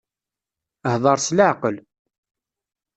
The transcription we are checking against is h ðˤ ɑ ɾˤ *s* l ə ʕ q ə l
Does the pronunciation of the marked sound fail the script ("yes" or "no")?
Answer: no